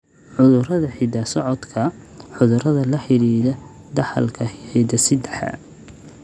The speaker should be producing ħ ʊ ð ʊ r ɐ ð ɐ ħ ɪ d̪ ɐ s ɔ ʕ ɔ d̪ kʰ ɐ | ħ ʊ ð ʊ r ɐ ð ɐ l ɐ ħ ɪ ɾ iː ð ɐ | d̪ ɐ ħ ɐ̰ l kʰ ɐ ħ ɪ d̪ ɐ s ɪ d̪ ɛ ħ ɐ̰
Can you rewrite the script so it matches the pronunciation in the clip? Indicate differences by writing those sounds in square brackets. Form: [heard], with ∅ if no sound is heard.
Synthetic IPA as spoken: ħ ʊ ð ʊ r ɐ ð ɐ ħ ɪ d̪ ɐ s ɔ ʕ ɔ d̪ kʰ ɐ | ħ ʊ ð ʊ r ɐ ð ɐ l ɐ ħ ɪ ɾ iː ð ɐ | d̪ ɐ ħ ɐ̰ l kʰ ɐ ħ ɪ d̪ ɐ s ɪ d̪ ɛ ħ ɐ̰